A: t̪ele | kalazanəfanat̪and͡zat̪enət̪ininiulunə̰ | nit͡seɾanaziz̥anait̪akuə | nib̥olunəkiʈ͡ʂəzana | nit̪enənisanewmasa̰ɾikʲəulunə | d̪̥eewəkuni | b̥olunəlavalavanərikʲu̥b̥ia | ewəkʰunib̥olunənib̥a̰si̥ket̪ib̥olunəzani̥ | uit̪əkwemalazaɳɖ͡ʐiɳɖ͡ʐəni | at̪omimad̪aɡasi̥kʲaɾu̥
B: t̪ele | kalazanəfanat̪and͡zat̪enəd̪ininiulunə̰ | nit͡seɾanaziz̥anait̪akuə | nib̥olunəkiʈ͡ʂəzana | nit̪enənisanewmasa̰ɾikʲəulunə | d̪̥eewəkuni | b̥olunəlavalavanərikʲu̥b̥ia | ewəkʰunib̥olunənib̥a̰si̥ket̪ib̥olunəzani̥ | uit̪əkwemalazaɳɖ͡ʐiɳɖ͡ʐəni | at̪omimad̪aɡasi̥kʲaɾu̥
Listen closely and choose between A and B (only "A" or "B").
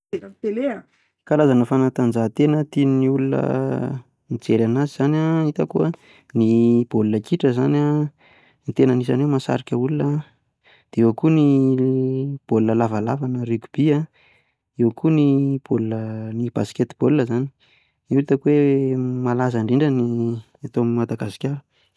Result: A